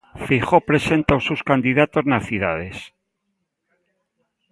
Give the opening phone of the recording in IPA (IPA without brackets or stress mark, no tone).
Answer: f